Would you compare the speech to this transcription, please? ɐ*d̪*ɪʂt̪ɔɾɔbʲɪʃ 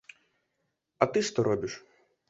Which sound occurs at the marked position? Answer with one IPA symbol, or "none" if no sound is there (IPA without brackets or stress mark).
t̪